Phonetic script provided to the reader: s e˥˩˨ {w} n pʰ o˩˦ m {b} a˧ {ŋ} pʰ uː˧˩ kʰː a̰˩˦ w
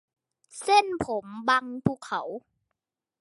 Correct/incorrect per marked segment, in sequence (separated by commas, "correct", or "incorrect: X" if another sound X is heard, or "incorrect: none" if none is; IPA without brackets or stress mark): incorrect: none, correct, correct